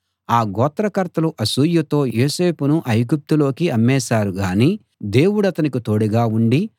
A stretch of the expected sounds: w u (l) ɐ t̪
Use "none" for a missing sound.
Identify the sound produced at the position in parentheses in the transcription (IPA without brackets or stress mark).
ɽ